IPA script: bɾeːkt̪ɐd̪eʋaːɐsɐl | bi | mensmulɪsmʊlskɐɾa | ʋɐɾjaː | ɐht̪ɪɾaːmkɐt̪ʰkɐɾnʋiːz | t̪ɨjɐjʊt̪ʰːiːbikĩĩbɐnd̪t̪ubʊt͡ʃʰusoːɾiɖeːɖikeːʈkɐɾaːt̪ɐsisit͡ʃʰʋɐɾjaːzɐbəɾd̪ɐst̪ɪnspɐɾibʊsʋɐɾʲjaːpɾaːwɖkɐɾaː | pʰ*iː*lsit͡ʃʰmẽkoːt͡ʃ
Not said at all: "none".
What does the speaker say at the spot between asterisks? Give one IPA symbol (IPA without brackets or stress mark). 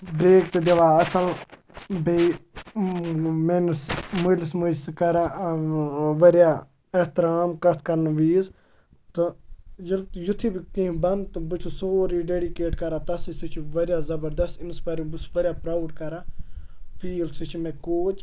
iː